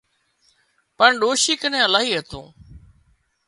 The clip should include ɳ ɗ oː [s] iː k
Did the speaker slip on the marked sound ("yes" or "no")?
yes